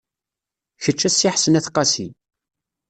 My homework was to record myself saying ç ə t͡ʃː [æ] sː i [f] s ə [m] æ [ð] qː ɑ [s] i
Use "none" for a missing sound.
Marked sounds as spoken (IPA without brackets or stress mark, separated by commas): æ, ħ, n, θ, s